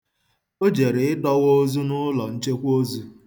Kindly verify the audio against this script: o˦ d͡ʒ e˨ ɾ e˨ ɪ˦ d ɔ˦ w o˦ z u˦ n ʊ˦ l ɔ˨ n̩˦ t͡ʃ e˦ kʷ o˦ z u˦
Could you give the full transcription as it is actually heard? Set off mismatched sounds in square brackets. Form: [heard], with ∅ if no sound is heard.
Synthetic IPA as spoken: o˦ d͡ʒ e˨ ɾ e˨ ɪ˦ d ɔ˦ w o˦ z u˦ n ʊ˦ l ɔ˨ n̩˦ t͡ʃ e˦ kʷ o˦ z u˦